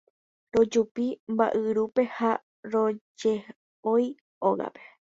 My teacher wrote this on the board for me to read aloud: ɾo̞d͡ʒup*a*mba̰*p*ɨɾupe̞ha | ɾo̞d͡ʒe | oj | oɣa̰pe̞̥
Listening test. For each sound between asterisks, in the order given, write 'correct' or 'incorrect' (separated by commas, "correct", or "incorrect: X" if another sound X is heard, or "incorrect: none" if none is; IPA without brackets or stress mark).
incorrect: i, incorrect: ʔ